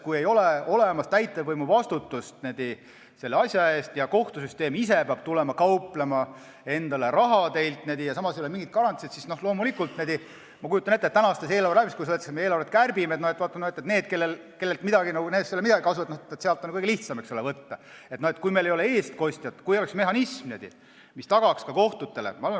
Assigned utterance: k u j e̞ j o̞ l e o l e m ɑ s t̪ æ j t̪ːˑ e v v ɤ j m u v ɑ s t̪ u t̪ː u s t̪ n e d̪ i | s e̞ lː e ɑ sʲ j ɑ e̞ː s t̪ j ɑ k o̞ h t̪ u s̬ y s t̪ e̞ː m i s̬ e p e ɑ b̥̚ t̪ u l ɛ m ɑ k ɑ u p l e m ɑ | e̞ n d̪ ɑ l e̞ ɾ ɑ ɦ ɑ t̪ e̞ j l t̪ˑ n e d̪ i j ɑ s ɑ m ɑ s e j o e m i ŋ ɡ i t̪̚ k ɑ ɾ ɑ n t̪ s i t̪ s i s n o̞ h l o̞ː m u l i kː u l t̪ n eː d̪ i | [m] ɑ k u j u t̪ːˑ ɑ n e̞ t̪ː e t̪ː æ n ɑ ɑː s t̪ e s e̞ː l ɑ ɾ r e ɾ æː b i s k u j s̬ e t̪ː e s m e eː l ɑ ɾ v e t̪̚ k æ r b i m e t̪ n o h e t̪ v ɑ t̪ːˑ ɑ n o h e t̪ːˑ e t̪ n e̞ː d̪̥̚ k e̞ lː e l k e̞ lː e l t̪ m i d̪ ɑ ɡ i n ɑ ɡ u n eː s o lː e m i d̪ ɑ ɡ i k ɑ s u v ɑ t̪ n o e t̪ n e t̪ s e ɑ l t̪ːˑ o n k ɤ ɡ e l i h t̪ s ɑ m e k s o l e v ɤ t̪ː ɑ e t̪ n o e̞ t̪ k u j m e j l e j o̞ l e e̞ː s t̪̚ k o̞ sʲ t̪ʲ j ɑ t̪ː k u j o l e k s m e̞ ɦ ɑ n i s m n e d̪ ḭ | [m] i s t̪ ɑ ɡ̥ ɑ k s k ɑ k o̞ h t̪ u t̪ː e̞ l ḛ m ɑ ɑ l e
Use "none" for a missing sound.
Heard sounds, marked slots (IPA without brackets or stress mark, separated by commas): m, m